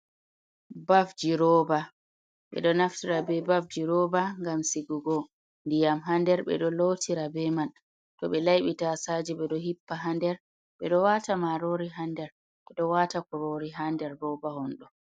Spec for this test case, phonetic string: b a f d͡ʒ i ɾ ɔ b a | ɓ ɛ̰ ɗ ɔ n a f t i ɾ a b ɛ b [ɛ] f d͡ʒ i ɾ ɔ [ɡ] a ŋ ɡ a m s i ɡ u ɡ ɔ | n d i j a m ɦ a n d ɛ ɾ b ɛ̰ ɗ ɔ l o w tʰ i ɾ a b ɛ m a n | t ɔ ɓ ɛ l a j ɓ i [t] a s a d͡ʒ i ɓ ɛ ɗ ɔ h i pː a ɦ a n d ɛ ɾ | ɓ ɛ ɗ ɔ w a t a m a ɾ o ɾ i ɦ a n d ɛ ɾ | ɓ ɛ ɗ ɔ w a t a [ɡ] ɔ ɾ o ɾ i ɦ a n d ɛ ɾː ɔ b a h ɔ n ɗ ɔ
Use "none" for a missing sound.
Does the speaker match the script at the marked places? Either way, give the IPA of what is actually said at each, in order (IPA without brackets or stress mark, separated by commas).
a, b, t, k